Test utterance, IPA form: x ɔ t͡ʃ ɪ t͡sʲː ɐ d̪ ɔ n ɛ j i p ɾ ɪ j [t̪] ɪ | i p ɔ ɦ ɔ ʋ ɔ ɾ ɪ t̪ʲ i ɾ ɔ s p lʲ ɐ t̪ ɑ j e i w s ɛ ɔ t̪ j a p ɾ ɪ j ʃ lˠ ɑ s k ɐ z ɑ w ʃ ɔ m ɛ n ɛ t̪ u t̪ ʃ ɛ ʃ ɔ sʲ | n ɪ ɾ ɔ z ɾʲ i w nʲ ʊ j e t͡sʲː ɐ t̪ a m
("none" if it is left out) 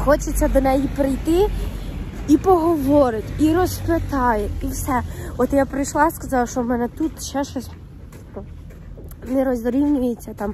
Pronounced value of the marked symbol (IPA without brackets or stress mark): t̪